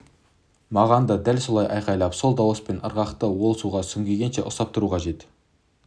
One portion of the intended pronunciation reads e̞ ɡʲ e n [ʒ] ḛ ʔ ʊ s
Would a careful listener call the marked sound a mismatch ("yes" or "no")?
yes